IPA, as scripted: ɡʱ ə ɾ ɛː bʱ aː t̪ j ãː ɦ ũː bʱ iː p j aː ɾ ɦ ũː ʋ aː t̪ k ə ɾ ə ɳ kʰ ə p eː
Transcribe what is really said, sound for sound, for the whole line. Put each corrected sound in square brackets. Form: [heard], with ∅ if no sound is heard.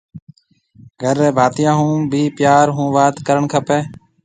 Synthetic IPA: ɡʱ ə ɾ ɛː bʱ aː t̪ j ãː ɦ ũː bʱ iː p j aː ɾ ɦ ũː ʋ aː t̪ k ə ɾ ə ɳ kʰ ə p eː

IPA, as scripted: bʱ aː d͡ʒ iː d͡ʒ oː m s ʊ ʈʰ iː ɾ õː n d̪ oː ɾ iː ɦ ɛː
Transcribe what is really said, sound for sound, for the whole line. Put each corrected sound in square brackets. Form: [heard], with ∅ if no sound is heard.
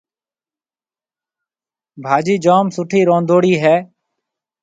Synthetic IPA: bʱ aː d͡ʒ iː d͡ʒ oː m s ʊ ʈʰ iː ɾ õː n d̪ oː [ɽ] iː ɦ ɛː

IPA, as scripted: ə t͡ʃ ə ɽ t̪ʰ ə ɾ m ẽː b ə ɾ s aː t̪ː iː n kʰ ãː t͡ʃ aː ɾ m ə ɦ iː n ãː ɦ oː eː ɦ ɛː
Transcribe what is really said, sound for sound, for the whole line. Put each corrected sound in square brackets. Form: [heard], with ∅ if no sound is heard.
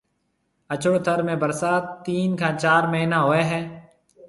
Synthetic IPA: ə t͡ʃ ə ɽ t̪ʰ ə ɾ m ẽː b ə ɾ s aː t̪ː iː n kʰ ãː t͡ʃ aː ɾ m ə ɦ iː n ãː ɦ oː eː ɦ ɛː

